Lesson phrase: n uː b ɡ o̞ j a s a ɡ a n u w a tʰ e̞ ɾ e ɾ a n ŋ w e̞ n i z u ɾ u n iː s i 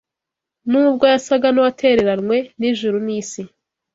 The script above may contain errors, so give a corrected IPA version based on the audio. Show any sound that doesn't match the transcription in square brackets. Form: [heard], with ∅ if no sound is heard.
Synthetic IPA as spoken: n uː b ɡ o̞ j a s a ɡ a n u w a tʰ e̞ ɾ e ɾ a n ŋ w e̞ n i [ʒ] u ɾ u n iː s i